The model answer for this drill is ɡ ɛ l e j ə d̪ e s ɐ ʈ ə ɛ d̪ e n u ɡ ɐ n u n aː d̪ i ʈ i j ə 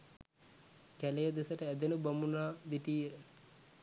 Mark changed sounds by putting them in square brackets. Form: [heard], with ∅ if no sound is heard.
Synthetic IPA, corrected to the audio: [k] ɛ l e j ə d̪ e s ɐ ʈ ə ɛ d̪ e n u [b] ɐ [m] u n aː d̪ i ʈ i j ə